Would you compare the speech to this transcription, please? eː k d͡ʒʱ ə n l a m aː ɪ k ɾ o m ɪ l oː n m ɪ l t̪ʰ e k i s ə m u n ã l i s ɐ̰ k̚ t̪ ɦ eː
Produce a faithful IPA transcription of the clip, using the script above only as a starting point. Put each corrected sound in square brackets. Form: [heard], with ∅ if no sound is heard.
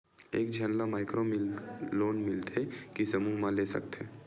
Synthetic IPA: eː k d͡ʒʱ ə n l a m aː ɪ k ɾ o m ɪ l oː n m ɪ l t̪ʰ e k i s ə m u [m] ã l [e] s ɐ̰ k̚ t̪ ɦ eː

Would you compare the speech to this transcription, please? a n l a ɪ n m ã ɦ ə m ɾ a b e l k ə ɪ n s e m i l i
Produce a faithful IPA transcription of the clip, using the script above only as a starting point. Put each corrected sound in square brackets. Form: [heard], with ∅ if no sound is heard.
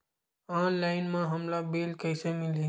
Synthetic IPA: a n l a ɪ n m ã ɦ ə m [l] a b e l k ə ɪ [∅] s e m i l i

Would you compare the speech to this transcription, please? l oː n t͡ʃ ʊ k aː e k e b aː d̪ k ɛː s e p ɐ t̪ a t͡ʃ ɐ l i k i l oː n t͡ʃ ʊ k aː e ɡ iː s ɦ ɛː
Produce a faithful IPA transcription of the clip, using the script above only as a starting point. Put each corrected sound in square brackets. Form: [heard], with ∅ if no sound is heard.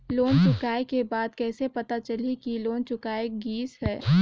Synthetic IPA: l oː n t͡ʃ ʊ k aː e k e b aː d̪ k ɛː s e p ɐ t̪ a t͡ʃ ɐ l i k i l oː n t͡ʃ ʊ k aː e ɡ iː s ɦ ɛː

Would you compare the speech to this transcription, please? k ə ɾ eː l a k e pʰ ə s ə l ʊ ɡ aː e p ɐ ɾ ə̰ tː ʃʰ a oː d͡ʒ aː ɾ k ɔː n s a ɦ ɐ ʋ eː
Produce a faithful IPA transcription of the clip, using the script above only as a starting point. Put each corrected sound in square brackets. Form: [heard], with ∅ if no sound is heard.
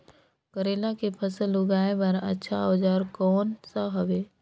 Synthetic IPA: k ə ɾ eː l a k e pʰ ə s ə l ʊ ɡ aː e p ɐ ɾ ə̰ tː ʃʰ a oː d͡ʒ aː ɾ k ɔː n s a ɦ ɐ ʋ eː

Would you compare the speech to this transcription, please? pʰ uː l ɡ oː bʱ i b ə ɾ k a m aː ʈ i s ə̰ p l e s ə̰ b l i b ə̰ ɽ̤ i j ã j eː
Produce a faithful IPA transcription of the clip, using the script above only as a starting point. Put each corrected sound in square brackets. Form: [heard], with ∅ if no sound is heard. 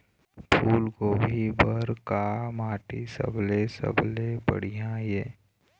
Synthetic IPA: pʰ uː l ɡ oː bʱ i b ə ɾ k a m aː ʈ i s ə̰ [b] l e s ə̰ b l [e] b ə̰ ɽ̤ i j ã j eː

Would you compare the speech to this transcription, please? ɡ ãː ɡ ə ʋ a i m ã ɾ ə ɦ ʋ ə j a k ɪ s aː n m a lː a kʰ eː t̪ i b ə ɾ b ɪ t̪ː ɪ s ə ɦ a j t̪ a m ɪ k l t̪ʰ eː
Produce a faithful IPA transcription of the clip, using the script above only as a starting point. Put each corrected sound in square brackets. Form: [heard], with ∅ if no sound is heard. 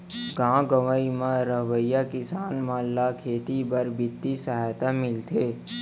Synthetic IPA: ɡ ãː ɡ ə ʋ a i m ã ɾ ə ɦ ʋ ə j a k ɪ s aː n m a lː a kʰ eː t̪ i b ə ɾ b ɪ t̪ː [i] s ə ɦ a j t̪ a m ɪ [∅] l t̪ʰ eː

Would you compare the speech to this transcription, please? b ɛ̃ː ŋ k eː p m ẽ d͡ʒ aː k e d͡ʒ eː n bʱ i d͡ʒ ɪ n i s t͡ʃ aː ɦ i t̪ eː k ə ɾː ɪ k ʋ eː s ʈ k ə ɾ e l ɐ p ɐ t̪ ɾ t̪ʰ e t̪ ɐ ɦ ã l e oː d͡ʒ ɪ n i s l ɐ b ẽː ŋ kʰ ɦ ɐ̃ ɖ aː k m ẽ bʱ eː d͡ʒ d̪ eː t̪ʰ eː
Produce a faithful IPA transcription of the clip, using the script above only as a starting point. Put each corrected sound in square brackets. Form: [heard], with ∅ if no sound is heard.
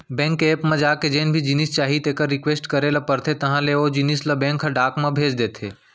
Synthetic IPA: b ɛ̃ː ŋ k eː p m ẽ d͡ʒ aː k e d͡ʒ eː n bʱ i d͡ʒ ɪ n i s t͡ʃ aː ɦ i t̪ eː k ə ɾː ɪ k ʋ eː s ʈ k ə ɾ e l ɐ p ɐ [∅] ɾ t̪ʰ e t̪ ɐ ɦ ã l e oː d͡ʒ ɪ n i s l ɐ b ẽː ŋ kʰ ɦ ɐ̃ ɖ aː k m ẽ bʱ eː d͡ʒ d̪ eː t̪ʰ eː

